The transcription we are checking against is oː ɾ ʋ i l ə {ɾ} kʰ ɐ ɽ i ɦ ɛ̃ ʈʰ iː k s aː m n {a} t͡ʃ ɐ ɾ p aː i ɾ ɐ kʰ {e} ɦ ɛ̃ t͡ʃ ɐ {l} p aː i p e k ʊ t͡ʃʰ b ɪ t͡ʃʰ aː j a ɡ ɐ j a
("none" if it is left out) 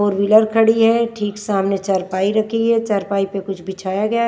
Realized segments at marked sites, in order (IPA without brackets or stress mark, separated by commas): ɾ, e, i, ɾ